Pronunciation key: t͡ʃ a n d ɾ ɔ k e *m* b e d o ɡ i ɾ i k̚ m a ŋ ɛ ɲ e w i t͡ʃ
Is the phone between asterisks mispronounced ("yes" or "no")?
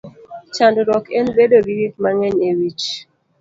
yes